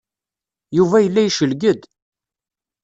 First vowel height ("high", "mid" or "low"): high